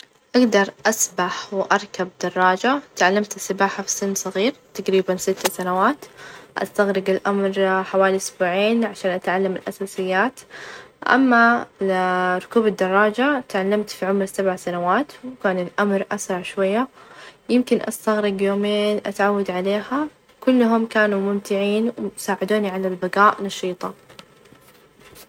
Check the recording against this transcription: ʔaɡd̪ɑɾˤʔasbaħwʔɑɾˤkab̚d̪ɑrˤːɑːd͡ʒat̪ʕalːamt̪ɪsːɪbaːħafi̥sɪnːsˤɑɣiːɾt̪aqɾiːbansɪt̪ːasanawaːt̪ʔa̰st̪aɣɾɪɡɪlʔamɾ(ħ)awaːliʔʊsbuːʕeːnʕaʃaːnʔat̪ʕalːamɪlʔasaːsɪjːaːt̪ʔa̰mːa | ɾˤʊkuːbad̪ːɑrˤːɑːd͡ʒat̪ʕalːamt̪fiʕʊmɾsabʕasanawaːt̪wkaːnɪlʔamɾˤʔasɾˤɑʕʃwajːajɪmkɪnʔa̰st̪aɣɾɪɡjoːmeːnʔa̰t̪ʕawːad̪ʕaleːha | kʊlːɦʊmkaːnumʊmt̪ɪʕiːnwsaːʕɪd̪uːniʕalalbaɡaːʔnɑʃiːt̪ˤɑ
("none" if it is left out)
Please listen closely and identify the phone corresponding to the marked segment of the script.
ħ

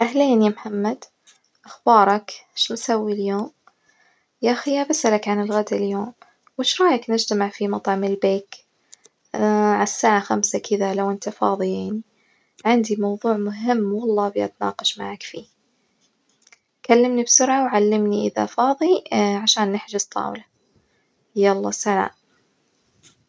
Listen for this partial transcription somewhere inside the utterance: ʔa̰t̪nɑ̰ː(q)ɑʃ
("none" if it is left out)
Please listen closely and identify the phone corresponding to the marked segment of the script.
q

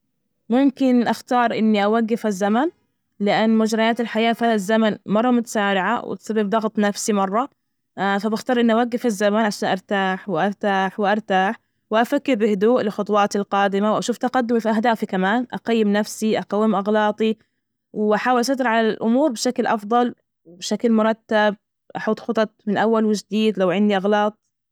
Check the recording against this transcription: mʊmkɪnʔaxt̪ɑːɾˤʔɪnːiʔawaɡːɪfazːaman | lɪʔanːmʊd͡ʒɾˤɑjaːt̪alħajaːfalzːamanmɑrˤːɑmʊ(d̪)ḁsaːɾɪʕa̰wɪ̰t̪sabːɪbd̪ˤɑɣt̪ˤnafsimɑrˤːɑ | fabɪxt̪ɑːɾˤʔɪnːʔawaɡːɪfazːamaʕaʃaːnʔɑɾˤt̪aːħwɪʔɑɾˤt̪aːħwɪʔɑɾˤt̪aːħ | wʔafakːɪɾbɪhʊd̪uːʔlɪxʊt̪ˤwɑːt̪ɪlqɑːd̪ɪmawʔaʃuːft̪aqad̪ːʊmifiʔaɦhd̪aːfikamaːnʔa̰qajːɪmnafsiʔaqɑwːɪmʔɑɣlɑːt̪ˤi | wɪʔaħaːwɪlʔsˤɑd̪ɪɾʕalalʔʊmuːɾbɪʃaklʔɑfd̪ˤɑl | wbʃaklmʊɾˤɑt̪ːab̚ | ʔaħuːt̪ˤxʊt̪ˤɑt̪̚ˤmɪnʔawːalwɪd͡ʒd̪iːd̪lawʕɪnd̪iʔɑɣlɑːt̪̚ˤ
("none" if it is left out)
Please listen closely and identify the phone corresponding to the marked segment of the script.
t̪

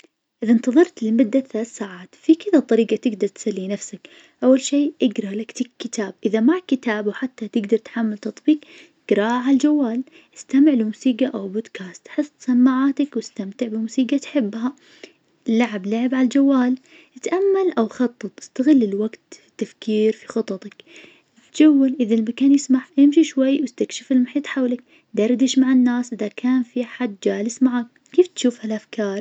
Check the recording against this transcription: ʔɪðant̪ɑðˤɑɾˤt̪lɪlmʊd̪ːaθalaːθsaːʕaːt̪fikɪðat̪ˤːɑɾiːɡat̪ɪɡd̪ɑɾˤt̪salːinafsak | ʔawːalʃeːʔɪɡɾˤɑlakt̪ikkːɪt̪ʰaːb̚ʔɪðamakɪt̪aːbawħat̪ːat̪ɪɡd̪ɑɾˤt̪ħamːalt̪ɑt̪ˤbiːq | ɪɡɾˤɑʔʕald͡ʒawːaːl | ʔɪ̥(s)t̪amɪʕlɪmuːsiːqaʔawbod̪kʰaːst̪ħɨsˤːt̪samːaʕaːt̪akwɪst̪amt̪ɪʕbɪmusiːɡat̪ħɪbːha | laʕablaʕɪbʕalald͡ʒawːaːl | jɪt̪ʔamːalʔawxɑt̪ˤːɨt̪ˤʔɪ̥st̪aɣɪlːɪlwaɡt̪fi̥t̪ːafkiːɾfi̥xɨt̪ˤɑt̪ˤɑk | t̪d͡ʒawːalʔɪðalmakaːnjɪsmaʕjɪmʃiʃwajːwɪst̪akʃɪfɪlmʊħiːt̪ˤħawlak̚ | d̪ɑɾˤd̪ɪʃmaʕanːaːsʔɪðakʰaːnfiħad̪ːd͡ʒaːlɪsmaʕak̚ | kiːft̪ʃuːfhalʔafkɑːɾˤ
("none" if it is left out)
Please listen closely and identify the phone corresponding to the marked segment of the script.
s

